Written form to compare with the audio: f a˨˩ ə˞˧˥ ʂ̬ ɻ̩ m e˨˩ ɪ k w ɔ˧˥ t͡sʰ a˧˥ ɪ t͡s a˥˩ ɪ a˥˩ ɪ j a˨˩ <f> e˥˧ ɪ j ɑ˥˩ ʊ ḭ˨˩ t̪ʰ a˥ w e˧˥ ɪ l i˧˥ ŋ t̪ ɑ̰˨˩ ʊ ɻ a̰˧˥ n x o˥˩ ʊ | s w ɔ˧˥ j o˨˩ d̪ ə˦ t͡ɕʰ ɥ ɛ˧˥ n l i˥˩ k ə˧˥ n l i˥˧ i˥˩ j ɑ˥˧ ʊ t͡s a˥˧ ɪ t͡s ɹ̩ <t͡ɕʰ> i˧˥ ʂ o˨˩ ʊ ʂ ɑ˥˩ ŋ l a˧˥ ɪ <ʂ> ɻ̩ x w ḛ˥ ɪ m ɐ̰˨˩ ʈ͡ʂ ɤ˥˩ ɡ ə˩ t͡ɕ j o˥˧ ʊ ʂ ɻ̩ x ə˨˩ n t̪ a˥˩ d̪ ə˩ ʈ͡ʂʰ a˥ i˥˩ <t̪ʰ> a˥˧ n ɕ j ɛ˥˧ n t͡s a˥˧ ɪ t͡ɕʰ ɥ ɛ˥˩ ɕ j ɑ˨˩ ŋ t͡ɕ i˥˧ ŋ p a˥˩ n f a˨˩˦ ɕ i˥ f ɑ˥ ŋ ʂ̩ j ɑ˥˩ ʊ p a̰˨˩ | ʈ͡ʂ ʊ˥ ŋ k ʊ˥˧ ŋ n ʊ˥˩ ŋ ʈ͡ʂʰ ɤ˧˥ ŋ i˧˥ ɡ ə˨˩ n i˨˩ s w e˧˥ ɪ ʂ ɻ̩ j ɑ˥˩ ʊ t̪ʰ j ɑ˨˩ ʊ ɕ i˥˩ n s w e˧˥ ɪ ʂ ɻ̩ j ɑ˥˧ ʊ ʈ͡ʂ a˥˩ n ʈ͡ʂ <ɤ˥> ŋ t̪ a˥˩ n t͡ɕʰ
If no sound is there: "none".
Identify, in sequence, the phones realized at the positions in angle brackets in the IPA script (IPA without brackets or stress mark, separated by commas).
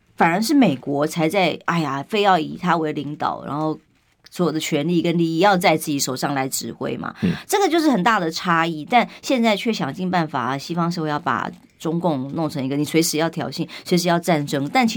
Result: f, t͡ɕ, ʈ͡ʂ, t̪, ɤ˥